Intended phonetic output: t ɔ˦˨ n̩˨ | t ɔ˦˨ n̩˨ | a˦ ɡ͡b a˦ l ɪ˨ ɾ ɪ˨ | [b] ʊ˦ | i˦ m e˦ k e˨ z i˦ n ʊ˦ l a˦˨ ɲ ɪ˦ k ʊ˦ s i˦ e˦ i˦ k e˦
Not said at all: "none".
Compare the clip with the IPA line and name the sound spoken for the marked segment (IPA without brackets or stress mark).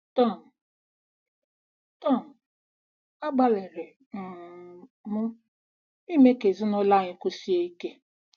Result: m